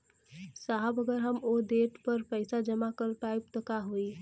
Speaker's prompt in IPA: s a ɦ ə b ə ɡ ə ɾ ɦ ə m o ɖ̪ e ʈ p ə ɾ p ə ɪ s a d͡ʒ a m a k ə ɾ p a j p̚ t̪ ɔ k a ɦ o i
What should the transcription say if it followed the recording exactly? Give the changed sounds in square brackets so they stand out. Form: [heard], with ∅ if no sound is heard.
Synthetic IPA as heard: s a ɦ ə b ə ɡ ə ɾ ɦ ə m o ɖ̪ e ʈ p ə ɾ p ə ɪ s a d͡ʒ [ə] m a k ə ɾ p a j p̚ t̪ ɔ k a ɦ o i